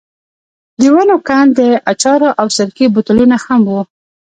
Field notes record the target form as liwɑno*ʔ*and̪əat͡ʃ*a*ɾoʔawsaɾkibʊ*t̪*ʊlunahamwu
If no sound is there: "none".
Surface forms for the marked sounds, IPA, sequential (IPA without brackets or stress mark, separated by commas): k, ɑ, t̪